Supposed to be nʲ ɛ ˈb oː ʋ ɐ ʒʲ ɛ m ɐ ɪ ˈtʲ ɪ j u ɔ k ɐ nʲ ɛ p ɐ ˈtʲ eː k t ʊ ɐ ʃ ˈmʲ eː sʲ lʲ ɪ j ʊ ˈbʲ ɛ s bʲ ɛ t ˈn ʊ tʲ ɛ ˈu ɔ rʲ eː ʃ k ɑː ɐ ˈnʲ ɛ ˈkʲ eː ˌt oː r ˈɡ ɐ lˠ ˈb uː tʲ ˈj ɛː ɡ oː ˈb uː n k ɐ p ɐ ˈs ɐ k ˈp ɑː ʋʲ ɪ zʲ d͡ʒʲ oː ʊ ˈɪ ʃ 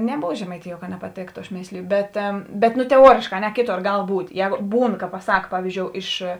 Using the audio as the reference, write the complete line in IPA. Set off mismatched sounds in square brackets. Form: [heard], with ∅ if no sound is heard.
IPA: nʲ ɛ ˈb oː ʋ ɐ ʒʲ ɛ m ɐ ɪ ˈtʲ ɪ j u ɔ k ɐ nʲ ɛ p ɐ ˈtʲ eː k t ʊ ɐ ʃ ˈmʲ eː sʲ lʲ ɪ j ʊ ˈbʲ ɛ [t] bʲ ɛ t ˈn ʊ tʲ ɛ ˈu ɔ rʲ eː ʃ k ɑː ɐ ˈnʲ ɛ ˈkʲ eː ˌt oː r ˈɡ ɐ lˠ ˈb uː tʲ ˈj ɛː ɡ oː ˈb uː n k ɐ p ɐ ˈs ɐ k ˈp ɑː ʋʲ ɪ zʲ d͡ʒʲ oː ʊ ˈɪ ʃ